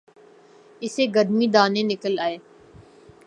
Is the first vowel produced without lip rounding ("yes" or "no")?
yes